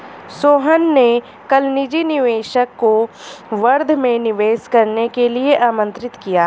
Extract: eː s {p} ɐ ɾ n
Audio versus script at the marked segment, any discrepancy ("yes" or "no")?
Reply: yes